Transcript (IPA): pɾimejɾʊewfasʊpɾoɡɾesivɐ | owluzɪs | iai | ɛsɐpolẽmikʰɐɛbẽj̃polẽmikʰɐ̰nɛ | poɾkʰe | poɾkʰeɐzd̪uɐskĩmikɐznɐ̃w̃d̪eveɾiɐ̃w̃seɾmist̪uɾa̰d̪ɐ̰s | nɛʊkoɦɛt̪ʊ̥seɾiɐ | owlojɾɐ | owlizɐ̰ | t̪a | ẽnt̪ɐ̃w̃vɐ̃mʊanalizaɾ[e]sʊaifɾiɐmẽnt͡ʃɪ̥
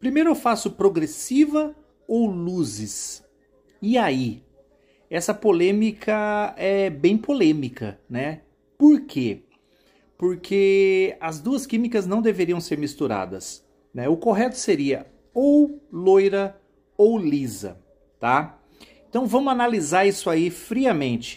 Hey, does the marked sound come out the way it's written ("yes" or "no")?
no